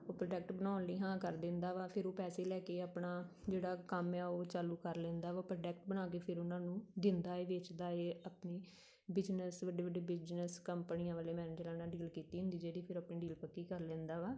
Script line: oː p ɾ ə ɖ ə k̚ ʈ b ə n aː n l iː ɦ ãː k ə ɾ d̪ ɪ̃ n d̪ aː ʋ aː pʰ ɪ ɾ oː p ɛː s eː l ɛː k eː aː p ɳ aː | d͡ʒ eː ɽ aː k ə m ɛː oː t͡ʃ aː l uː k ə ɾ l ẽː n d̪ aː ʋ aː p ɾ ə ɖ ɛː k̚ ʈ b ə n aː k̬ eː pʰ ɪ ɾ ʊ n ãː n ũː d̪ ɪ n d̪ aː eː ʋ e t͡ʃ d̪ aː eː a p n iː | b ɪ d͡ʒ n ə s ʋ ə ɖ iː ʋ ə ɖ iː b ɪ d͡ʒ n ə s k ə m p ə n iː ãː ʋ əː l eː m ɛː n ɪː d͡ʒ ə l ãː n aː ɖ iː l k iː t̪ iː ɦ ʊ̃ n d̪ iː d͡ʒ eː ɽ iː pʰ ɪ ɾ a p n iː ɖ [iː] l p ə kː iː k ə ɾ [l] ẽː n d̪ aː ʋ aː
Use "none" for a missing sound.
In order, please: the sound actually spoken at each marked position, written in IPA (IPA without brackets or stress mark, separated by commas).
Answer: iː, l